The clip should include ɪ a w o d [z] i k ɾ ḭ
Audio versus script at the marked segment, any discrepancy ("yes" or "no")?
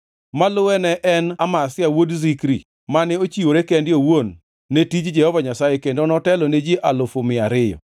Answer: no